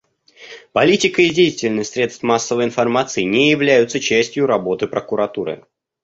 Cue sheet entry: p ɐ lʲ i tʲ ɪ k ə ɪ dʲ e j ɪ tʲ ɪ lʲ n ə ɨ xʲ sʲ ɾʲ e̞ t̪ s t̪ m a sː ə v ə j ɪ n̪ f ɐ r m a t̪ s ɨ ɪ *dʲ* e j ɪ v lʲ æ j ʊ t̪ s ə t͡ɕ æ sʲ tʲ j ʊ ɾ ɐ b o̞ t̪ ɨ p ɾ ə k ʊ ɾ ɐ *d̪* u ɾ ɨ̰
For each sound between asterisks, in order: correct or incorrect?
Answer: incorrect: nʲ, incorrect: t̪

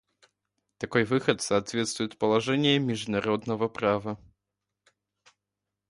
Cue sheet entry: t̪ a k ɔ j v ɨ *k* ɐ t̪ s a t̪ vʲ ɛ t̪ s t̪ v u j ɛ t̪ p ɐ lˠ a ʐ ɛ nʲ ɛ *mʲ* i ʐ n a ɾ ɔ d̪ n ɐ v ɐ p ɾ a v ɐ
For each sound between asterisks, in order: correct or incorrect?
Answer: incorrect: x, correct

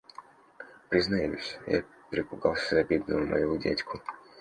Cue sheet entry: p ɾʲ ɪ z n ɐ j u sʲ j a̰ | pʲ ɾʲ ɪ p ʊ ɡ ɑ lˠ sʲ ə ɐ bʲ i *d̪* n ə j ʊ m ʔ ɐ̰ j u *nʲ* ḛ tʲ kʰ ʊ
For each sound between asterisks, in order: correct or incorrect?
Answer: correct, incorrect: dʲ

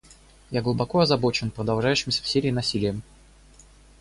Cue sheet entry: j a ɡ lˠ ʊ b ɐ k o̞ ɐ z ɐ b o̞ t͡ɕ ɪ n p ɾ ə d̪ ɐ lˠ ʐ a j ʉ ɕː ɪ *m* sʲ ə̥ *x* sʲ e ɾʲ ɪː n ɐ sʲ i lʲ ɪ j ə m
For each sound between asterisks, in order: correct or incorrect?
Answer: correct, incorrect: f

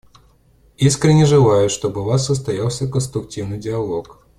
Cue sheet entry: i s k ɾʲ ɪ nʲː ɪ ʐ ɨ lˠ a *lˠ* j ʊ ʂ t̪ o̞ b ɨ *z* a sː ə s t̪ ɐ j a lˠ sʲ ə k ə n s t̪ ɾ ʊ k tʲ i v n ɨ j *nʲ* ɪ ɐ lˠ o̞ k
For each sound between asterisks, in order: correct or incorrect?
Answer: incorrect: none, incorrect: v, incorrect: dʲ

